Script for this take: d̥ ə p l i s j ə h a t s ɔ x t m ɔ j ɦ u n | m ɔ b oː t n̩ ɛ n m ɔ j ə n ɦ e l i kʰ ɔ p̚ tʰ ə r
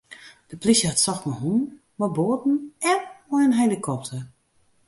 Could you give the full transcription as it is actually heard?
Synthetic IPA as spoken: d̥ ə p l i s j ə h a t s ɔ x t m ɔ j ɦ u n | m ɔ b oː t n̩ ɛ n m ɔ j ə n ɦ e l i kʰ ɔ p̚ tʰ ə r